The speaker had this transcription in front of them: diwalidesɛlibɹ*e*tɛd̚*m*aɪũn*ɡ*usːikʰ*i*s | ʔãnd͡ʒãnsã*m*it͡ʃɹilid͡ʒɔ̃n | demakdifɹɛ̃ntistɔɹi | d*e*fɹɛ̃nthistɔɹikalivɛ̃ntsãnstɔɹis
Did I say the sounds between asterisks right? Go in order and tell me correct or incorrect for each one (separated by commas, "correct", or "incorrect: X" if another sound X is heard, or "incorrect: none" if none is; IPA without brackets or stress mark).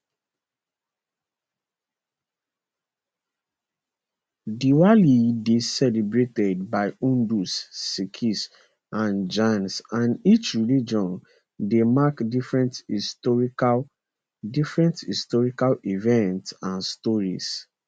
correct, incorrect: b, incorrect: d, correct, incorrect: n, incorrect: i